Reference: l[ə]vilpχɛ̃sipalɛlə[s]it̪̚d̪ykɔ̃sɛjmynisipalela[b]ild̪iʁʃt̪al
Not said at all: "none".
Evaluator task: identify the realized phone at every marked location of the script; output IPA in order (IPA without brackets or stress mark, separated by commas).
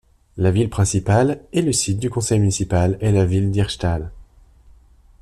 a, s, v